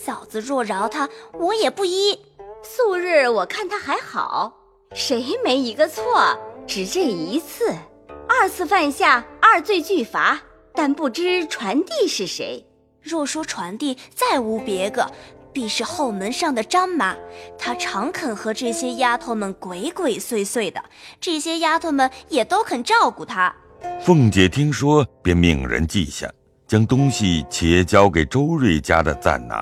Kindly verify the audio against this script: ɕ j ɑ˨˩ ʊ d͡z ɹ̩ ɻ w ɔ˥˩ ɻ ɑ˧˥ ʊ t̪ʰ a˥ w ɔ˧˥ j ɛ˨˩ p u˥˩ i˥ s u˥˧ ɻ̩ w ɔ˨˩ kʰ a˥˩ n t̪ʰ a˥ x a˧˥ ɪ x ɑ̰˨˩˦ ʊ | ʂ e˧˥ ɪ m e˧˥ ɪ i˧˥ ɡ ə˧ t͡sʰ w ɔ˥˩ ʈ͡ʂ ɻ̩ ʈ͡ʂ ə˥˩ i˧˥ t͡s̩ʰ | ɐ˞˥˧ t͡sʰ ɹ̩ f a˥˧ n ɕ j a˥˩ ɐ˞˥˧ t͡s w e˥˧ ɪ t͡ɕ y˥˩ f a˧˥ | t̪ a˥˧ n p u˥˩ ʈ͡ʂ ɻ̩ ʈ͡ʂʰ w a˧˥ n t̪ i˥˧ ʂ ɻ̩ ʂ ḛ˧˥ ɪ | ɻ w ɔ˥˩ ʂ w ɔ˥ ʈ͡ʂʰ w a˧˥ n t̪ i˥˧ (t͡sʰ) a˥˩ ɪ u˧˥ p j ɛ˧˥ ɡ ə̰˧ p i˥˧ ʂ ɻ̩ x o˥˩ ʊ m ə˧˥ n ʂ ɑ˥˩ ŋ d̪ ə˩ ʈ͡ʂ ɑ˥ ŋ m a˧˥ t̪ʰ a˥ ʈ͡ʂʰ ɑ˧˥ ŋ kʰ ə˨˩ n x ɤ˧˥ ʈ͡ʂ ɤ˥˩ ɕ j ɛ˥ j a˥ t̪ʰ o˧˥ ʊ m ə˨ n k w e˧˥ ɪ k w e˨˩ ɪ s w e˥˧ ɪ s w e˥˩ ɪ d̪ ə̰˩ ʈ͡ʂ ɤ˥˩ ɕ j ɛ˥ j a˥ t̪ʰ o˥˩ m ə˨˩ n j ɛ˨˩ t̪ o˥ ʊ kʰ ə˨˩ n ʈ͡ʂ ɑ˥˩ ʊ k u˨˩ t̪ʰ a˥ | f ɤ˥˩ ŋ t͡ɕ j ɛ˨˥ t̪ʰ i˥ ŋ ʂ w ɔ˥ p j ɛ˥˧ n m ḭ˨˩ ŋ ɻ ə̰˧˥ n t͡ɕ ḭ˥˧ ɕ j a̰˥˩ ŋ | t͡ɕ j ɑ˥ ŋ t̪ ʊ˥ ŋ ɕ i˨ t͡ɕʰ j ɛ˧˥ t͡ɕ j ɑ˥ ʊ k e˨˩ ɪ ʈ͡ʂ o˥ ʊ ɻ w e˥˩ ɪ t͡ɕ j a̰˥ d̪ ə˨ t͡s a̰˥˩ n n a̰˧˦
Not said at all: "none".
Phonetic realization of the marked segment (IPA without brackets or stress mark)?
t͡s